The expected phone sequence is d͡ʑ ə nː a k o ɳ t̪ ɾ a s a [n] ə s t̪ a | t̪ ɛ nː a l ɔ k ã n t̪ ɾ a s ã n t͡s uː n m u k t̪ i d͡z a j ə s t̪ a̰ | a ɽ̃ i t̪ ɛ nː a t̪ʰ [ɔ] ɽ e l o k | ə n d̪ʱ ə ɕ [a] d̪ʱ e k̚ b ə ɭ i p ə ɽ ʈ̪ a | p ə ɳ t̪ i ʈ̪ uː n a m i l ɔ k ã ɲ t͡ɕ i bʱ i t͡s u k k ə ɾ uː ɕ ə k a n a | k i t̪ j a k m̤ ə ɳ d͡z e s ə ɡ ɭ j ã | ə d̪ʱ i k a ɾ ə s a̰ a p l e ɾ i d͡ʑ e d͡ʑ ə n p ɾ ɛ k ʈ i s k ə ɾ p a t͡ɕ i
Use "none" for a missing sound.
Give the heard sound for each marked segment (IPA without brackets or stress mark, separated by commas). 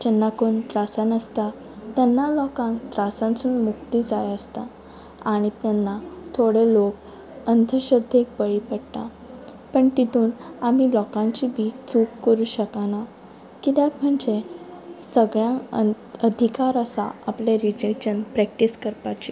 n, o, ə